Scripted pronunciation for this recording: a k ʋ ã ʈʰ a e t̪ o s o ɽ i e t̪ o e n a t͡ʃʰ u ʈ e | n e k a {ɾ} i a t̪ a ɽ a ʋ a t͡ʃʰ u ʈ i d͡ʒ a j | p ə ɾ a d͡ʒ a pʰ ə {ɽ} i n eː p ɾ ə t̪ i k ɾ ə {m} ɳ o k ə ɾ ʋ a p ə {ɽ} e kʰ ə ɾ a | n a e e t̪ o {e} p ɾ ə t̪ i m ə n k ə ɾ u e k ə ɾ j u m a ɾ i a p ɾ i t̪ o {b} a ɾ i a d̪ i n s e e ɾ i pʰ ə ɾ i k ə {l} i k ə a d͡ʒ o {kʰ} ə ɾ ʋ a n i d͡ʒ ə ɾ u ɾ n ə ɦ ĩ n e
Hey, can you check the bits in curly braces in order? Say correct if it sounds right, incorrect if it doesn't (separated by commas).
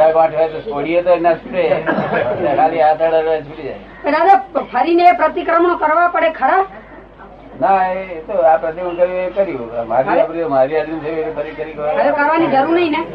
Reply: incorrect, incorrect, correct, correct, incorrect, incorrect, incorrect, incorrect